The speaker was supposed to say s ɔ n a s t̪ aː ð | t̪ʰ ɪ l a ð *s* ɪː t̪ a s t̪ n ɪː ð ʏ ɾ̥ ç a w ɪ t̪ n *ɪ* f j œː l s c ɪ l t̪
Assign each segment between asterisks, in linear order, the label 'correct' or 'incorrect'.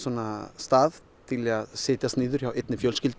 correct, correct

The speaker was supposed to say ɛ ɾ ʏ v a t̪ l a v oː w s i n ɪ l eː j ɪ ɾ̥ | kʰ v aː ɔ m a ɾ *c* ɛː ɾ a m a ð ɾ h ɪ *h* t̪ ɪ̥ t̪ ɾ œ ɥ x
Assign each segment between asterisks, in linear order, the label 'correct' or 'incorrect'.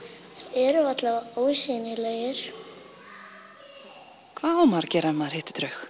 correct, correct

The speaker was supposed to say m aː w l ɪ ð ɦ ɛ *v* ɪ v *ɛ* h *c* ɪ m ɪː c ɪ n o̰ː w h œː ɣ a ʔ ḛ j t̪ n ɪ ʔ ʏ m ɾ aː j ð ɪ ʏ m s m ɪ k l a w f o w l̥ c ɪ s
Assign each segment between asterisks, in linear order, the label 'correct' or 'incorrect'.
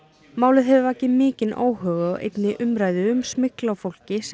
correct, incorrect: a, correct

